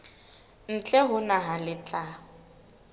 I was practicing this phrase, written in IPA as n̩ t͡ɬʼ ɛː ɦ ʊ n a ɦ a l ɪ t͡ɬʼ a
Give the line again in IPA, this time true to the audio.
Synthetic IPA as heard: n̩ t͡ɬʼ ɛ ɦ ʊ n a ɦ a l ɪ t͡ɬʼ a